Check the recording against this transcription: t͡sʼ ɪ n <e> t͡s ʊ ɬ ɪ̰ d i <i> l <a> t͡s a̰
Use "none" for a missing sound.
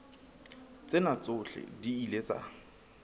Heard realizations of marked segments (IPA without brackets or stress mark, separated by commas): a, i, e